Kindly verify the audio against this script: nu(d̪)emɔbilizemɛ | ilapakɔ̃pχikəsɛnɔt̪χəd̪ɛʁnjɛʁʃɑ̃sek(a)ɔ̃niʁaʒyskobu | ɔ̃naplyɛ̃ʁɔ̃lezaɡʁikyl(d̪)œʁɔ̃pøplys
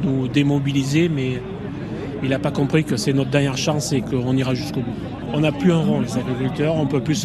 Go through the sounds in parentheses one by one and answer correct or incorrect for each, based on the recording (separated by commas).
correct, incorrect, incorrect